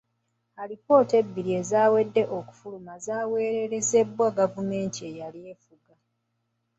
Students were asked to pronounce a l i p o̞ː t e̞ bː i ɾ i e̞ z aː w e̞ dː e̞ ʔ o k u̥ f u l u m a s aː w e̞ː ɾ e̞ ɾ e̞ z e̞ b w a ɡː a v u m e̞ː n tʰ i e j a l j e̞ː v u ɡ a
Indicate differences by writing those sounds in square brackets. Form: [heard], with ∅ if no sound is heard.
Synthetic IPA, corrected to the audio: a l i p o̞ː t e̞ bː i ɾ i e̞ z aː w e̞ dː e̞ ʔ o k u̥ f u l u m a [z] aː w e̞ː ɾ e̞ ɾ e̞ z e̞ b w a [ɡ] a v u m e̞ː n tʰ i e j a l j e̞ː [f] u ɡ a

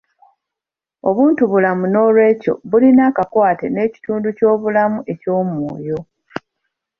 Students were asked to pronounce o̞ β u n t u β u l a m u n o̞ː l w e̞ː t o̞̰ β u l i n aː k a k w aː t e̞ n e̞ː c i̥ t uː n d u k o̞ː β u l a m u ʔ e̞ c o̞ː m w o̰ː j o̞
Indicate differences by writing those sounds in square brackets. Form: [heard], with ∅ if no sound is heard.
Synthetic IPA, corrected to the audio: o̞ β [uː] n t u β u l a m u n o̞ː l w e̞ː [c] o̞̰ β u l i n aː k a k w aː t e̞ n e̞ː c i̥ t uː n d u [c] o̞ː β u l a m u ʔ e̞ c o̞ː m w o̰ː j o̞

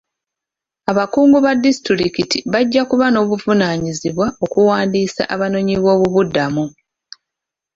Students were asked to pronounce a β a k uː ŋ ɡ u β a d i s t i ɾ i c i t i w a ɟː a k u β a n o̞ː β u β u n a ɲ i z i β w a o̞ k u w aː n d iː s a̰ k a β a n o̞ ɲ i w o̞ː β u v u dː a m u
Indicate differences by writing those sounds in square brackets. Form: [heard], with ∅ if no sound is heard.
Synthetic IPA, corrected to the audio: a β a k uː ŋ ɡ u β a d i s t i ɾ i [k] i t i [β] a ɟː a k u β a n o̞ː β u [v] u n a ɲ i z i β w a o̞ k u w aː n d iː s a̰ [ʔ] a β a n o̞ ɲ i [β] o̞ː β u [β] u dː a m u

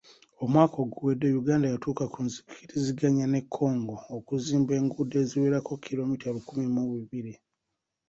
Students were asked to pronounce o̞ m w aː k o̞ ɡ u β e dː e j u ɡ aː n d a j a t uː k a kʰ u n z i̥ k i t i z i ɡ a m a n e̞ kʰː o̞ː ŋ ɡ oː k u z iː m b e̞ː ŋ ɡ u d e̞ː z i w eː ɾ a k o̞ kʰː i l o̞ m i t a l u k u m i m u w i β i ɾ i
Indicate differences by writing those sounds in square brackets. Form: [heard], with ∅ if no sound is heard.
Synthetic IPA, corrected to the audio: o̞ m w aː k o̞ ɡ u [w] e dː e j u ɡ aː n d a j a t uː k a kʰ u n z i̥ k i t i z i ɡ a [ɲ] a n e̞ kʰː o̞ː ŋ ɡ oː k u z iː m b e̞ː ŋ ɡ u d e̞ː z i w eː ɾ a k o̞ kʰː i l o̞ m i t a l u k u m i m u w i β i ɾ i

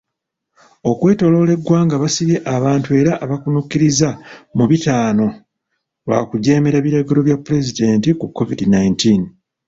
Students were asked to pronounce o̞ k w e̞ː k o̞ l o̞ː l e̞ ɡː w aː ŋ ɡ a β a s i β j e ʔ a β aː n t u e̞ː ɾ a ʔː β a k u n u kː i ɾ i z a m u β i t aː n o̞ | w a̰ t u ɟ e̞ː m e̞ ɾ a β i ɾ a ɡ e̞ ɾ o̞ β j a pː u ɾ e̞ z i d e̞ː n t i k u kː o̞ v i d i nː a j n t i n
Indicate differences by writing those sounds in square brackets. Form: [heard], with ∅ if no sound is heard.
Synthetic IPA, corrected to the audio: o̞ k w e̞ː [t] o̞ l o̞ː l e̞ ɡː w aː ŋ ɡ a β a s i β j e ʔ a β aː n t u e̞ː ɾ a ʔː β a k u n u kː i ɾ i z a m u β i t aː n o̞ | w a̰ [k] u ɟ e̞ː m e̞ ɾ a β i ɾ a ɡ e̞ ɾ o̞ β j a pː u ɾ e̞ z i d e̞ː n t i k u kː o̞ v i d i [n] a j n t i n

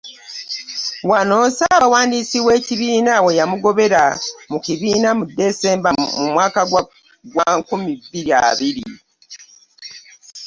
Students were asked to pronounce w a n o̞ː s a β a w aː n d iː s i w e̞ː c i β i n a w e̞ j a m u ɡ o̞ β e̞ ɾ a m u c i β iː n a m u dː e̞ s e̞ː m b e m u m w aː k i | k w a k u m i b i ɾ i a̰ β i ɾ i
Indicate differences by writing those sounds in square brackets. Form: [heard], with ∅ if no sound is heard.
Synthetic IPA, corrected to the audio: w a n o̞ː s a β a w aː n d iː s i w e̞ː c i β [iː] n a w e̞ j a m u ɡ o̞ β e̞ ɾ a m u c i β iː n a m u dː e̞ s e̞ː m b [a] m u m w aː k [a] | [ɡ] w a k u m i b i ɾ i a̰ β i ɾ i

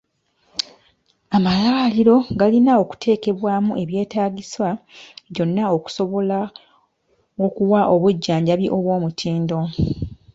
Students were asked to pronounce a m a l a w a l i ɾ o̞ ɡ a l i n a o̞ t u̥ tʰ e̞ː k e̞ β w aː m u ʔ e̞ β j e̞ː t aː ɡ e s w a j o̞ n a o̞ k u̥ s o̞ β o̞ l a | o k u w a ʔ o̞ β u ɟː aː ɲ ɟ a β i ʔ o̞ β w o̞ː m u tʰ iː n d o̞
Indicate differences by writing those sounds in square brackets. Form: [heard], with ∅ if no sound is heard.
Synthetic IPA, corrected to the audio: a m a l a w a l i ɾ o̞ ɡ a l i n a o̞ [k] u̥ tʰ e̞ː k e̞ β w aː m u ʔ e̞ β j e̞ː t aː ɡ [i] s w a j o̞ [nː] a o̞ k u̥ s o̞ β o̞ l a | o k u w a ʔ o̞ β u ɟː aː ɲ ɟ a β i ʔ o̞ β w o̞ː m u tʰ iː n d o̞

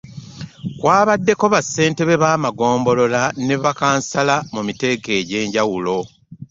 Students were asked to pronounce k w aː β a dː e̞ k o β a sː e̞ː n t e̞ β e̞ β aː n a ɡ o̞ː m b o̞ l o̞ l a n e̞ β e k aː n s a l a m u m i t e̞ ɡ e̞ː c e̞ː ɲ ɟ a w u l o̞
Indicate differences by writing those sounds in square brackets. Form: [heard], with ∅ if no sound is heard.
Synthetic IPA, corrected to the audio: k w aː β a dː e̞ k o β a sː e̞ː n t e̞ β e̞ β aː [m] a ɡ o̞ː m b o̞ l o̞ l a n e̞ β [a] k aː n s a l a m u m i t e̞ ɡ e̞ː [ɟ] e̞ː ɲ ɟ a w u l o̞

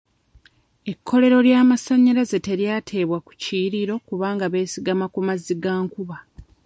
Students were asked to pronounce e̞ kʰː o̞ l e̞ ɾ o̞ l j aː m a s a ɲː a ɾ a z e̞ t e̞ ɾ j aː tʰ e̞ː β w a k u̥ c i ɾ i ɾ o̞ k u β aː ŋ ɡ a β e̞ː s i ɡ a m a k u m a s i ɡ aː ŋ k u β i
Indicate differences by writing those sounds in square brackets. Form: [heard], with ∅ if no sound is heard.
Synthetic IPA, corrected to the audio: e̞ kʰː o̞ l e̞ ɾ o̞ l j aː m a s a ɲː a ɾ a z e̞ t e̞ ɾ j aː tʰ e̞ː β w a k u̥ c i ɾ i ɾ o̞ k u β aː ŋ ɡ a β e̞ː s i ɡ a m a k u m a [z] i ɡ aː ŋ k u β [a]

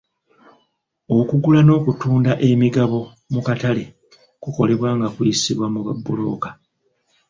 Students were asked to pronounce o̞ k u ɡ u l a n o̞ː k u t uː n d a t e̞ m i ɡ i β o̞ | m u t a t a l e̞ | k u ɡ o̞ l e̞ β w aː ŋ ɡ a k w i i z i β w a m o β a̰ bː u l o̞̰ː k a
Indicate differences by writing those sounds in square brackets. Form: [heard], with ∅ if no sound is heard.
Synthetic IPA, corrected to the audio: o̞ k u ɡ u l a n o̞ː k u t uː n d a [ʔ] e̞ m i ɡ [a] β o̞ | m u [k] a t a l e̞ | k u [k] o̞ l e̞ β w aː ŋ ɡ a k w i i [s] i β w a m [u] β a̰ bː u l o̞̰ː k a

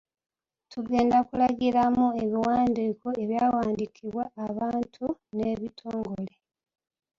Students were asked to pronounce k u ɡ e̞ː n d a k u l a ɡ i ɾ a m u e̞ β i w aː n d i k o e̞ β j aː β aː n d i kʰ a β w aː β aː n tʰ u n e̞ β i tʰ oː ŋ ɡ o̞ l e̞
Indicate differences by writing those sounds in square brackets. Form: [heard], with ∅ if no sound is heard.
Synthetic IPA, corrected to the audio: [t] u ɡ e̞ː n d a k u l a ɡ i ɾ a m u e̞ β i w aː n d i k o e̞ β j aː [w] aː n d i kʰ [i] β w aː β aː n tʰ u n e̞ β i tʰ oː ŋ ɡ o̞ l e̞

